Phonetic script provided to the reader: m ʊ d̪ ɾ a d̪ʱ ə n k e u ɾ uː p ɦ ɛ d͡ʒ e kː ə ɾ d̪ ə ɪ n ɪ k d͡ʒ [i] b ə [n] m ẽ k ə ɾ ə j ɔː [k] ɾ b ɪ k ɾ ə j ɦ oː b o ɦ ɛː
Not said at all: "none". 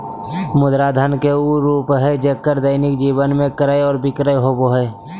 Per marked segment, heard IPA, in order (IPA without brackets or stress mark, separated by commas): iː, n, none